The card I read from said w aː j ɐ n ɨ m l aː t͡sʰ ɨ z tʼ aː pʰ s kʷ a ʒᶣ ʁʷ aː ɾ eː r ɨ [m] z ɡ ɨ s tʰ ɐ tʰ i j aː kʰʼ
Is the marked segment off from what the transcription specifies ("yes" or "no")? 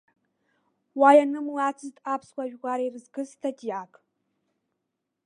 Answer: yes